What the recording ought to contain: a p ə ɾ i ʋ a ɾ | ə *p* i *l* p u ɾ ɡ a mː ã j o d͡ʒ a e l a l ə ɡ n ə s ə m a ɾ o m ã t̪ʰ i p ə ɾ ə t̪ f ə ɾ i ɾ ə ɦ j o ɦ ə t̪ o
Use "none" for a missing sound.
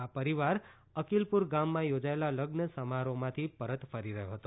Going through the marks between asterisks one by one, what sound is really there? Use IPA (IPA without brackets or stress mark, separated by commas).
k, l